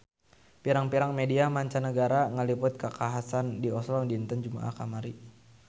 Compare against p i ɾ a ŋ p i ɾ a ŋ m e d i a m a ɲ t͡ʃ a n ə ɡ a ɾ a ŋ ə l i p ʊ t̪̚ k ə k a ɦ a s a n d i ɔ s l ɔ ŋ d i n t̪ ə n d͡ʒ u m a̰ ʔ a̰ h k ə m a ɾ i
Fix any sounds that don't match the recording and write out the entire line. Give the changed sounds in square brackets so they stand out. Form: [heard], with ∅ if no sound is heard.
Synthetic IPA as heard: p i ɾ a ŋ p i ɾ a ŋ m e d i a m a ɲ t͡ʃ a n ə ɡ a ɾ a ŋ ə l i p ʊ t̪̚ k ə k a ɦ a s a n d i ɔ s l ɔ ŋ d i n t̪ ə n d͡ʒ u m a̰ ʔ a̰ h k [a] m a ɾ i